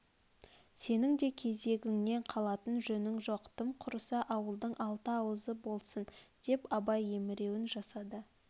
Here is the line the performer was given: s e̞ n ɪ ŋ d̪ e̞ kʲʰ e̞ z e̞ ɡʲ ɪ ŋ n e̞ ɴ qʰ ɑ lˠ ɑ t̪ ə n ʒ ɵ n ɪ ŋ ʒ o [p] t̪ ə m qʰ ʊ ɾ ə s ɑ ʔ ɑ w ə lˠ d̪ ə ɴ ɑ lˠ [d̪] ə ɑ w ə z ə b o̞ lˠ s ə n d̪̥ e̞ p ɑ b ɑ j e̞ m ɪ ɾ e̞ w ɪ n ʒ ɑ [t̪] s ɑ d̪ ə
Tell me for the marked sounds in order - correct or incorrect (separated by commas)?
incorrect, incorrect, incorrect